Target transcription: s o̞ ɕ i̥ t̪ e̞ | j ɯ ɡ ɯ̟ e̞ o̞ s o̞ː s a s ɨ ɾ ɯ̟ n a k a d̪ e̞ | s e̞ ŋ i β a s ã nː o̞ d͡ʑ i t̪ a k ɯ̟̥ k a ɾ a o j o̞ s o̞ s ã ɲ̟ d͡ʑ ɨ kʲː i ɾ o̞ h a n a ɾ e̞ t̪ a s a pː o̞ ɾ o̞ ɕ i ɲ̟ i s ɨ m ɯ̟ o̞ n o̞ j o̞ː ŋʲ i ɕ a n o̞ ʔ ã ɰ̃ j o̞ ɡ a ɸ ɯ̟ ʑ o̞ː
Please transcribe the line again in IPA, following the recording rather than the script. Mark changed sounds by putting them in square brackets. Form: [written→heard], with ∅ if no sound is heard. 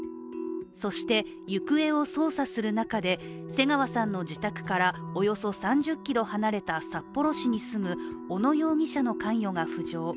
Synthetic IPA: s o̞ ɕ i̥ t̪ e̞ | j ɯ [ɡ→k] ɯ̟ e̞ o̞ s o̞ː s a s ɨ ɾ ɯ̟ n a k a d̪ e̞ | s e̞ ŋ [i→a] β a s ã nː o̞ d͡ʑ i t̪ a k ɯ̟̥ k a ɾ a o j o̞ s o̞ s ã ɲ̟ d͡ʑ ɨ kʲː i ɾ o̞ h a n a ɾ e̞ t̪ a s a pː o̞ ɾ o̞ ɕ i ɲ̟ i s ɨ m ɯ̟ o̞ n o̞ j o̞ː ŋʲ i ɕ a n o̞ [ʔ→k] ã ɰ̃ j o̞ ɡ a ɸ ɯ̟ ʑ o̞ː